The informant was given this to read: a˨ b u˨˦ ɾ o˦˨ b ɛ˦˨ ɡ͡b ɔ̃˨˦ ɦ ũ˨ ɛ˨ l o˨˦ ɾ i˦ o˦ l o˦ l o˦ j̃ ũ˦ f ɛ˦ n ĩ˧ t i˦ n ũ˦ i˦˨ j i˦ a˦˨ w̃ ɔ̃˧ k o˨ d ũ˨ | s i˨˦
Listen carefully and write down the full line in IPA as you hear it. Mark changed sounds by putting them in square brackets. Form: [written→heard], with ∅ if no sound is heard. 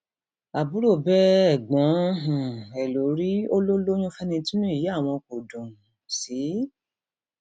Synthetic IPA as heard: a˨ b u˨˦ ɾ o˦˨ b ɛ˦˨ ɡ͡b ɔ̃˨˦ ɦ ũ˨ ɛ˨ l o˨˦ ɾ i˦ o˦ l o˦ l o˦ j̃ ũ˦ f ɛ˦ n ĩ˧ t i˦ n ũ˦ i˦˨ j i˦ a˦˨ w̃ ɔ̃˧ k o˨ d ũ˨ | s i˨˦